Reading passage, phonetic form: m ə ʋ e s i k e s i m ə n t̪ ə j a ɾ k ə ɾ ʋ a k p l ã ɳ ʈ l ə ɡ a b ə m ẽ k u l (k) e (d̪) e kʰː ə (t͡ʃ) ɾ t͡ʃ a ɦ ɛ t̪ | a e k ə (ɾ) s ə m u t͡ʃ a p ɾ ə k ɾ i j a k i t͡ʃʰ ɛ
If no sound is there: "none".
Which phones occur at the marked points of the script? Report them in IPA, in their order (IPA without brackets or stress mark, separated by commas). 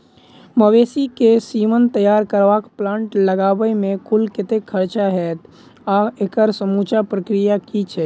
k, t̪, none, ɾ